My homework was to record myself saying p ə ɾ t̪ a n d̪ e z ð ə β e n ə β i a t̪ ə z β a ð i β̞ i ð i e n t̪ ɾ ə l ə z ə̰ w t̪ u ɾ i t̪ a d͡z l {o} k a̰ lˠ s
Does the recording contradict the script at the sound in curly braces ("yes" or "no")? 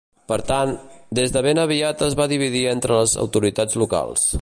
yes